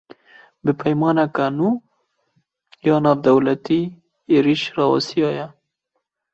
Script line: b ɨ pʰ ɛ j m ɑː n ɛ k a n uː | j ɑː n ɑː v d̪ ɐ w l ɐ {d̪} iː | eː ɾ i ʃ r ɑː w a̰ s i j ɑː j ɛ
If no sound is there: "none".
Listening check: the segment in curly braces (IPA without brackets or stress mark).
t̪